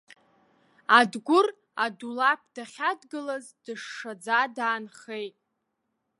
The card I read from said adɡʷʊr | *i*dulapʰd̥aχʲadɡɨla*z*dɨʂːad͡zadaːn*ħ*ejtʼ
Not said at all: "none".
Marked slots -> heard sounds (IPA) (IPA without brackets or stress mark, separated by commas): a, z, χ